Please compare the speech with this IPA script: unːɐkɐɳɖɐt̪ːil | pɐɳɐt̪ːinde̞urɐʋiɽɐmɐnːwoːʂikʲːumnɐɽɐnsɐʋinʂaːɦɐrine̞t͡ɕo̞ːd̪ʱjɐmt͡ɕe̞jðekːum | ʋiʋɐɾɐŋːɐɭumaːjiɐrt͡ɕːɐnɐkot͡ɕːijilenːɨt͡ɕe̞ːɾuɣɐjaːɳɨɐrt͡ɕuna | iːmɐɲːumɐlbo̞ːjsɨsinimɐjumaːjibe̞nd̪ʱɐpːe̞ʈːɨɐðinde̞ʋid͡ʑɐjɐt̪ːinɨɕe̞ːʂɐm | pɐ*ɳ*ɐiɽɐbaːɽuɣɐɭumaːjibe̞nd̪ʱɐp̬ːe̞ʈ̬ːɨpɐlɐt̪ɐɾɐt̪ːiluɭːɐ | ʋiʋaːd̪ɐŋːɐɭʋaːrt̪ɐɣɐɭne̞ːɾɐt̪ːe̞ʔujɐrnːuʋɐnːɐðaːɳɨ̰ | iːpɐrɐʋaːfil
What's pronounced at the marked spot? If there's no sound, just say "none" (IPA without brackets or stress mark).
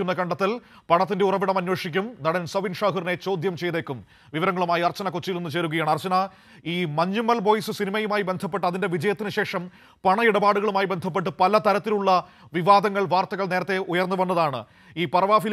ɳ